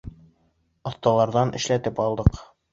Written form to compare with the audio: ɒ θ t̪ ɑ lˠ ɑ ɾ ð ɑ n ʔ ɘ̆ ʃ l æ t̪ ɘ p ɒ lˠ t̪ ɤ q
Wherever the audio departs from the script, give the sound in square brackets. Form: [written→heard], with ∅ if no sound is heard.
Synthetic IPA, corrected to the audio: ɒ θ t̪ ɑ lˠ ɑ ɾ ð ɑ n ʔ ɘ̆ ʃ l æ t̪ ɘ p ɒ lˠ [t̪→d̪] ɤ q